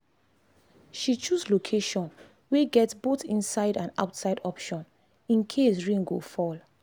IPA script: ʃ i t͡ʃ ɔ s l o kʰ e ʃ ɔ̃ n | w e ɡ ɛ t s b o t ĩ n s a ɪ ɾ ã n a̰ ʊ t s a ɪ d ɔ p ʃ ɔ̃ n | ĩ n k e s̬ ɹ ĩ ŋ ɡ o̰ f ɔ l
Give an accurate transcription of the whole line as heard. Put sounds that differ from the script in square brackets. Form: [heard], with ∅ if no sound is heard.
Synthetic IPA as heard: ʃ i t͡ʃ [u] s l o kʰ e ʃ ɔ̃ n | w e ɡ ɛ t s b o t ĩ n s a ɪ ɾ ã n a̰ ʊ t s a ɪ d ɔ p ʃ ɔ̃ n | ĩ n [kʰ] e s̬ ɹ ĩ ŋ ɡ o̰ f ɔ l

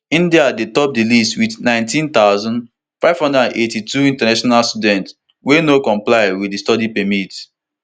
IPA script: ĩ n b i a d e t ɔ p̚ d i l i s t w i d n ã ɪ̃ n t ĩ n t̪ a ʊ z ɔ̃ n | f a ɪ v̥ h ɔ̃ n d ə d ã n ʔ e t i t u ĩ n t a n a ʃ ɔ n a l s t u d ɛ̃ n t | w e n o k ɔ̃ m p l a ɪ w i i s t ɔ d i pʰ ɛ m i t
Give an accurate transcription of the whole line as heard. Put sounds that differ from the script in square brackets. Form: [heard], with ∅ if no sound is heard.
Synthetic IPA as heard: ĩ n [d] i a d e t ɔ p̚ d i l i s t w i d n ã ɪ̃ n t ĩ n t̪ a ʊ z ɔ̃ n | f a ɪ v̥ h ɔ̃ n d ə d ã n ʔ e t i t u ĩ n t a n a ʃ ɔ n a l s t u d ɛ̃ n t | w e n o k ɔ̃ m p l a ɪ w i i s t ɔ d i [p] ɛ m i t

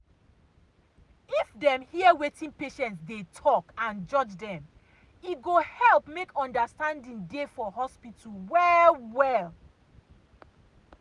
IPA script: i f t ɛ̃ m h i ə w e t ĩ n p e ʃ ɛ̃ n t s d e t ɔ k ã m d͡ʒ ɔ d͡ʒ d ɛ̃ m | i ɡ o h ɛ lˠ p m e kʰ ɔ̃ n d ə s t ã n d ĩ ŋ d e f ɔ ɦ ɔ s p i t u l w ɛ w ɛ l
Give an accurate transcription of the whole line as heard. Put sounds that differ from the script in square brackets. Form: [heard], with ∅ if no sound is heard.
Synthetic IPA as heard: i f [d] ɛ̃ m h i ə w e t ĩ n p e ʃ ɛ̃ n t s d e [tʰ] ɔ k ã [n] d͡ʒ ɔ d͡ʒ d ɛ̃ m | i ɡ o h ɛ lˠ p m e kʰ ɔ̃ n d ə s t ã n d ĩ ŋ d e f ɔ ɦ ɔ s p i t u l w ɛ w ɛ l

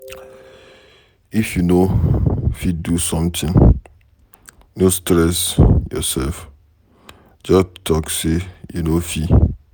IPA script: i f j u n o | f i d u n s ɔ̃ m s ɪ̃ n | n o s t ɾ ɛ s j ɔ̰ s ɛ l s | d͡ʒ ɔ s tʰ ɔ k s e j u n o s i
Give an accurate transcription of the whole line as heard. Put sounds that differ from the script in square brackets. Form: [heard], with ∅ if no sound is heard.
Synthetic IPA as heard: i f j u n o | f i d u [∅] s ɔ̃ m [t] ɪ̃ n | n o s t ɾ ɛ s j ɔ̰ s ɛ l [f] | d͡ʒ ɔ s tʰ ɔ k s e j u n o [f] i

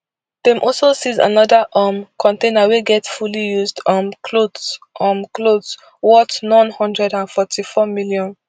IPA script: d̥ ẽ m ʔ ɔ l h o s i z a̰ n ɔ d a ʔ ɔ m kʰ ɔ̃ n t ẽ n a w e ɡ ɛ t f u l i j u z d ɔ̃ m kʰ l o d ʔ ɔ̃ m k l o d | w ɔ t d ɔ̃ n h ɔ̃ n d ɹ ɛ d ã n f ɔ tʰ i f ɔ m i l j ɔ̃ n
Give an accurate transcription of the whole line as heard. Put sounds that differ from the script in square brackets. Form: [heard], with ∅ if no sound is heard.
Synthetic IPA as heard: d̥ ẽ m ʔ ɔ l [s] o s i z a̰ n ɔ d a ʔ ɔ m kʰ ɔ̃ n t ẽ n a w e ɡ ɛ t f u l i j u z d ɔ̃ m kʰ l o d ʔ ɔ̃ m k l o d | w ɔ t [n] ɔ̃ n h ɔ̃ n d ɹ ɛ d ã n f ɔ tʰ i f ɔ m i l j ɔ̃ n

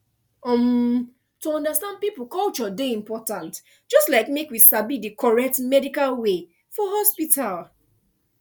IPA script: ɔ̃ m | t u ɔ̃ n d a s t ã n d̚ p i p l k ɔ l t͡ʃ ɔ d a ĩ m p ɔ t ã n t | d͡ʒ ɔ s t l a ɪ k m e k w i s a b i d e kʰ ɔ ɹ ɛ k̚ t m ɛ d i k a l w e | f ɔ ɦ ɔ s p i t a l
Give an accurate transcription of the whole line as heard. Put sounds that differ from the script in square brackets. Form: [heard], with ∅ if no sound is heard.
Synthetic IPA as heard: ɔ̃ m | t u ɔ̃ n d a s t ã n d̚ p i p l k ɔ l t͡ʃ ɔ d [e] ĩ m p ɔ t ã n t | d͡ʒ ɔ s t l a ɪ k m e k w i s a b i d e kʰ ɔ ɹ ɛ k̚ t m ɛ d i k a l w e | f ɔ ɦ ɔ s p i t a l

